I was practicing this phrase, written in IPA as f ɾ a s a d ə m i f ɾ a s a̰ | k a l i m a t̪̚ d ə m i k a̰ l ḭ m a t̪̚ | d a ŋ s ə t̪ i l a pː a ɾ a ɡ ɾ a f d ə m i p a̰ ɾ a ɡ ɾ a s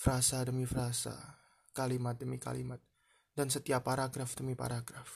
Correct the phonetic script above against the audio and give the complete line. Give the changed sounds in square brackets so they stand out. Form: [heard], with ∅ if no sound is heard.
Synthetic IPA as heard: f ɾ a s a d ə m i f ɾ a s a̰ | k a l i m a t̪̚ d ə m i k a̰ l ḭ m a t̪̚ | d a [n] s ə t̪ i [∅] a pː a ɾ a ɡ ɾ a f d ə m i p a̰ ɾ a ɡ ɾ a [f]